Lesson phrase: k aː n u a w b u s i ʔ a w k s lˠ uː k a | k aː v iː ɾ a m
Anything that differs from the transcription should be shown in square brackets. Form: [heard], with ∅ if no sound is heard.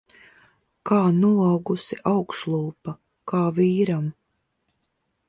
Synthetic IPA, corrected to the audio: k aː n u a w [ɡ] u s i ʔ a w k [ʃ] lˠ uː [p] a | k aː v iː ɾ a m